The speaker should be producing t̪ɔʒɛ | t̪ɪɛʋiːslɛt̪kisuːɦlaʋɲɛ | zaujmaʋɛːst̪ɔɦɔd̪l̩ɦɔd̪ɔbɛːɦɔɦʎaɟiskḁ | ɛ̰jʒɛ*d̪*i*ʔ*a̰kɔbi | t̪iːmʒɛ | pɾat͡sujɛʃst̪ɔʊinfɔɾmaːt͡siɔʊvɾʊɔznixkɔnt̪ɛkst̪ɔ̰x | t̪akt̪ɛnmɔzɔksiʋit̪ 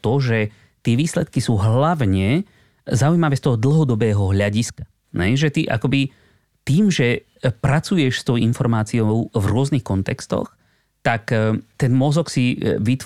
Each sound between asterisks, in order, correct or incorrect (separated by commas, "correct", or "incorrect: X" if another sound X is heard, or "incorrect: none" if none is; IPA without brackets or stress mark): incorrect: t̪, correct